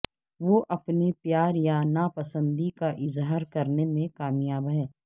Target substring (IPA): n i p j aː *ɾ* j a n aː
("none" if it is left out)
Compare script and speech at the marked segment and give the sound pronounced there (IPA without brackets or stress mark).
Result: ɾ